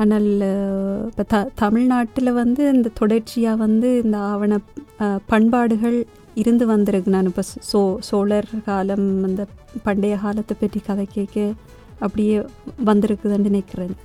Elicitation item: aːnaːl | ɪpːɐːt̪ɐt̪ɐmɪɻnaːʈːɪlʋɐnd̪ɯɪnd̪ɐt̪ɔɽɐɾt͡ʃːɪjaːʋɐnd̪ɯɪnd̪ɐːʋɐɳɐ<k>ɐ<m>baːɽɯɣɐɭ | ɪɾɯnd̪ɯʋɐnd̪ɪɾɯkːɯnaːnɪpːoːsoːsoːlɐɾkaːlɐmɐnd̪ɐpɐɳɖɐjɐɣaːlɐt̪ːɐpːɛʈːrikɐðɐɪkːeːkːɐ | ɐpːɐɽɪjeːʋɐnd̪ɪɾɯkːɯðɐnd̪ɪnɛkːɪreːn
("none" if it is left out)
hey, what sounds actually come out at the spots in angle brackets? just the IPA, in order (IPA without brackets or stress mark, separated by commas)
p, ɳ